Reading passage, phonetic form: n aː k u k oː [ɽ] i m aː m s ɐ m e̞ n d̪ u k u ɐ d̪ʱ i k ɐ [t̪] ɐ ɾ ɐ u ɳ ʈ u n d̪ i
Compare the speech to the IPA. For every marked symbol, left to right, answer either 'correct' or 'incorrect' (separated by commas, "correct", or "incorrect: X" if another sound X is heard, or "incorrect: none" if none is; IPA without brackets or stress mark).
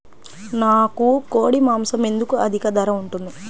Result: correct, incorrect: d̪